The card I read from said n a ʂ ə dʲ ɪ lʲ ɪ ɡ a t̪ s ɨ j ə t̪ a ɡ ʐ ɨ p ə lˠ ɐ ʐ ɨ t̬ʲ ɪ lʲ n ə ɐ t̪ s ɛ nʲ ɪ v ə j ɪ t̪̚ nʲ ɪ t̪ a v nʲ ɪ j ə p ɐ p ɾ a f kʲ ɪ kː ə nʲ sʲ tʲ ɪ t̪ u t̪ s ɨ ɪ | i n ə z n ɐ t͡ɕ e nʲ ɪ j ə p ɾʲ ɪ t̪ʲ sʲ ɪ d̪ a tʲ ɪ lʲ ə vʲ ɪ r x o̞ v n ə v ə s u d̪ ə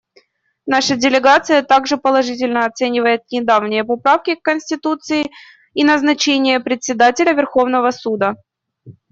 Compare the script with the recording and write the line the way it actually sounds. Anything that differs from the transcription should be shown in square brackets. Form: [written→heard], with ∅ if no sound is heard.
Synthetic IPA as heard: n a ʂ ə dʲ ɪ lʲ ɪ ɡ a t̪ s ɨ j ə t̪ a ɡ ʐ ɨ p ə lˠ ɐ ʐ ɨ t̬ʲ ɪ lʲ n ə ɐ t̪ s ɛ nʲ ɪ v ə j ɪ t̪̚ nʲ ɪ [t̪→d̪] a v nʲ ɪ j ə p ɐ p ɾ a f kʲ ɪ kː ə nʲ sʲ tʲ ɪ t̪ u t̪ s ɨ ɪ | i n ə z n ɐ t͡ɕ e nʲ ɪ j ə p ɾʲ ɪ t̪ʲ sʲ ɪ d̪ a tʲ ɪ lʲ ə vʲ ɪ r x o̞ v n ə v ə s u d̪ ə